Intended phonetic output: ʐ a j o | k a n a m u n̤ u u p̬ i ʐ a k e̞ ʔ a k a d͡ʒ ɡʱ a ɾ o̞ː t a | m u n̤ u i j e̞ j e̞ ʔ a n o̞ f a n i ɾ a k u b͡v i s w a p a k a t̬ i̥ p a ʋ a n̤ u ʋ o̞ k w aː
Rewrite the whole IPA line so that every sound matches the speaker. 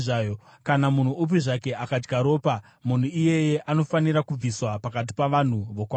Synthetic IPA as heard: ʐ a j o | k a n a m u n̤ u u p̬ i ʐ a k e̞ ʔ a k a d͡ʒ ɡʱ a ɾ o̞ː p a | m u n̤ u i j e̞ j e̞ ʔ a n o̞ f a n i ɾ a k u b͡v i s w a p a k a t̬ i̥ p a ʋ a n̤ u ʋ o̞ k w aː